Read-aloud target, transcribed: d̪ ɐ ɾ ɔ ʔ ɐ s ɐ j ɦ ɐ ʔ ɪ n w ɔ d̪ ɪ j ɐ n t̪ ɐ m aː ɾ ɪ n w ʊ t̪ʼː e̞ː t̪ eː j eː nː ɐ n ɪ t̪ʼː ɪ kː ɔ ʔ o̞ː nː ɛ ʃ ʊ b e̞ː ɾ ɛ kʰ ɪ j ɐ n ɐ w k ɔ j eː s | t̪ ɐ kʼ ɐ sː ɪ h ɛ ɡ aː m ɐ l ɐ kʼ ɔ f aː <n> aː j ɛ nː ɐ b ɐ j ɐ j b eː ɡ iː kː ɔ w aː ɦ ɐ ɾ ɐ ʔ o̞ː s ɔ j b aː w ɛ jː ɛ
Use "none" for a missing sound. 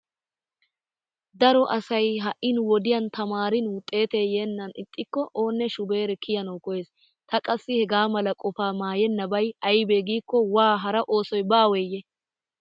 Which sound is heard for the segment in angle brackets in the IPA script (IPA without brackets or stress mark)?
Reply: m